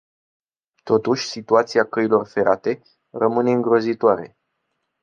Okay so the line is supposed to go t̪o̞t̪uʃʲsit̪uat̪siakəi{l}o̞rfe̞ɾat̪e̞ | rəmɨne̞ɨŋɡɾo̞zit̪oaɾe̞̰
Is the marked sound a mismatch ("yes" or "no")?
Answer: no